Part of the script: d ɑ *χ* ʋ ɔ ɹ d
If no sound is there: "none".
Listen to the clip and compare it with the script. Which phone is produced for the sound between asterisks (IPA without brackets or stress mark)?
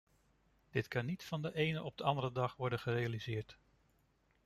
χ